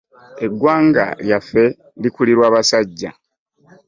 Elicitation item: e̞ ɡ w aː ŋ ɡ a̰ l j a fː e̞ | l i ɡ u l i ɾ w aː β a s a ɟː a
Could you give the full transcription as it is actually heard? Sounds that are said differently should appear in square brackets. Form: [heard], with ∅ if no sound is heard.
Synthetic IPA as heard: e̞ ɡ w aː ŋ ɡ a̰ l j a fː e̞ | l i [k] u l i ɾ w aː β a s a ɟː a